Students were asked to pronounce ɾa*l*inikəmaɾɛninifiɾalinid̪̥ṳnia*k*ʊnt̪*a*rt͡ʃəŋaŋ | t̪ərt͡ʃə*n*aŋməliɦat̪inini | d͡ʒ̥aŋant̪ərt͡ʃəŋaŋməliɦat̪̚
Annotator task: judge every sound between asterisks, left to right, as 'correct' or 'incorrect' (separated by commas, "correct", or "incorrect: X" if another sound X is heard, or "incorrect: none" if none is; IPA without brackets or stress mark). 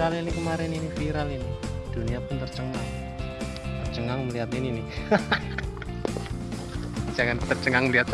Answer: correct, incorrect: p, incorrect: ə, incorrect: ŋ